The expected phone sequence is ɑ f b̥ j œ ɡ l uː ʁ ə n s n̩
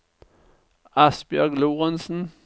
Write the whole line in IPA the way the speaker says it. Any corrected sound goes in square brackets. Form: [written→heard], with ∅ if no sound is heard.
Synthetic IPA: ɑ [f→s] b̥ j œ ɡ l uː ʁ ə n s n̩